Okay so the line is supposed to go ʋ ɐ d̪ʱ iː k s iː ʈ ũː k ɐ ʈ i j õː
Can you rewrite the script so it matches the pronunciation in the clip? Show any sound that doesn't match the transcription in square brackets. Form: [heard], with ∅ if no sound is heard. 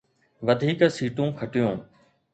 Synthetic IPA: ʋ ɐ d̪ʱ iː k s iː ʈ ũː [kʰ] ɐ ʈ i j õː

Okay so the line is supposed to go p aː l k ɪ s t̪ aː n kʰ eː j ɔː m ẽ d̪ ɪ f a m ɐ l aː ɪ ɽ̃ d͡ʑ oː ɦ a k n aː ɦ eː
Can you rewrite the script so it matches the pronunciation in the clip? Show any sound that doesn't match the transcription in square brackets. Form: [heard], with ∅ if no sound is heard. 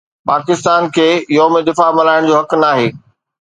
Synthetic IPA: p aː [∅] k ɪ s t̪ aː n kʰ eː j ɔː m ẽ d̪ ɪ f a m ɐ l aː ɪ ɽ̃ d͡ʑ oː ɦ [ɐ] k n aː ɦ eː

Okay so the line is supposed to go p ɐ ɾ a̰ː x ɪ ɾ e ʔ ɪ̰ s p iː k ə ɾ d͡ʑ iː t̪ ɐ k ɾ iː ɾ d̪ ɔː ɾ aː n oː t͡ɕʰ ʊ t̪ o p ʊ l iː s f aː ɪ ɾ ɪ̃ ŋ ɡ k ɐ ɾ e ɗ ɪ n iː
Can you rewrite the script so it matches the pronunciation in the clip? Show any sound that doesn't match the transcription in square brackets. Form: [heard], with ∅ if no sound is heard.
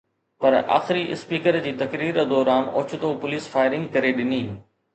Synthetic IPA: p ɐ ɾ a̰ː x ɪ ɾ [i] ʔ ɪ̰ s p iː k ə ɾ d͡ʑ iː t̪ ɐ k ɾ iː ɾ d̪ ɔː ɾ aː n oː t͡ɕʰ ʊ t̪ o p ʊ l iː s f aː ɪ ɾ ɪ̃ ŋ ɡ k ɐ ɾ e ɗ ɪ n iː

